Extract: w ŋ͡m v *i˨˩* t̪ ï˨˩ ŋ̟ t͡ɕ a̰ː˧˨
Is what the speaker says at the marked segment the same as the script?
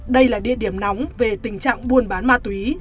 no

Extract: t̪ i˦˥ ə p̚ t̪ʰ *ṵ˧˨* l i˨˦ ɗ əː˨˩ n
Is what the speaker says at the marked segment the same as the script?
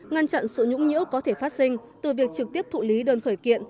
yes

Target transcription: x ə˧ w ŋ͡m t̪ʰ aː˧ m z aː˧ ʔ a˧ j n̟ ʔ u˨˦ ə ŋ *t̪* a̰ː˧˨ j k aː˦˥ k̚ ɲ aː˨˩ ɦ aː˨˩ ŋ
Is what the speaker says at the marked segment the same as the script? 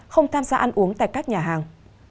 yes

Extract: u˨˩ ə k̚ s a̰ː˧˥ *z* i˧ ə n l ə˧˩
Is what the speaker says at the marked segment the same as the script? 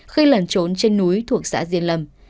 yes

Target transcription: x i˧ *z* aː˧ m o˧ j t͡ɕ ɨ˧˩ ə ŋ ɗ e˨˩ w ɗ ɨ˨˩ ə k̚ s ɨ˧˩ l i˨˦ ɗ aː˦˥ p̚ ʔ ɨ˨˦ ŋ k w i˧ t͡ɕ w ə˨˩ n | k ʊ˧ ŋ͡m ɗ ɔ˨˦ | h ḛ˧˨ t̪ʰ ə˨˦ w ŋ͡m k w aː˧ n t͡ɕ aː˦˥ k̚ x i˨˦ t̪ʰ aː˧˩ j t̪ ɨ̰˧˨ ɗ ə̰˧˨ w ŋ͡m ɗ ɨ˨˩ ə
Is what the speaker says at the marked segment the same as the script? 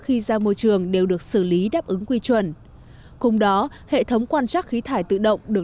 yes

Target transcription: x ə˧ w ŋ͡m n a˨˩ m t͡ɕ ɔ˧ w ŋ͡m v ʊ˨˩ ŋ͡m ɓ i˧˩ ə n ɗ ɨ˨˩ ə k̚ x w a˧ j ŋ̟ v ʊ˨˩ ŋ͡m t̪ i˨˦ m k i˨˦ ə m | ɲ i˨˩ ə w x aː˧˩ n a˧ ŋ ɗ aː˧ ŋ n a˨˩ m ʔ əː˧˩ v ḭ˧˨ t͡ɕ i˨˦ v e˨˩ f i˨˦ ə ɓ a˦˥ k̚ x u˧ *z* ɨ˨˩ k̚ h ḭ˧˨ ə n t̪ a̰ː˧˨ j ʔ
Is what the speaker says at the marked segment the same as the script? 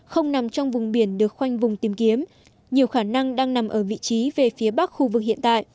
no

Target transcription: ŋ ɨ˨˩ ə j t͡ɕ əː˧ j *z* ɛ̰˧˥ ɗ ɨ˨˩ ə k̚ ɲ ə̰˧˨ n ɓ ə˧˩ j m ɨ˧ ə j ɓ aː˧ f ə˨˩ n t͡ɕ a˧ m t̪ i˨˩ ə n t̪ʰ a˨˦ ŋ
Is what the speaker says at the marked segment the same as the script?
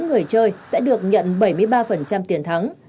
no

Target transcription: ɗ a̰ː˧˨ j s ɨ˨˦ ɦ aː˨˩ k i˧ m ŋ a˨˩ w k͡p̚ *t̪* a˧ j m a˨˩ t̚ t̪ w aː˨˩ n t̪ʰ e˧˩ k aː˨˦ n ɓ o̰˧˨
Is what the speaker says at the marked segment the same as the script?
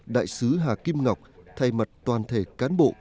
no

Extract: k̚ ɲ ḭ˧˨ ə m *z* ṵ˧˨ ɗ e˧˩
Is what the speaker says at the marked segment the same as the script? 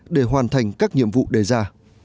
no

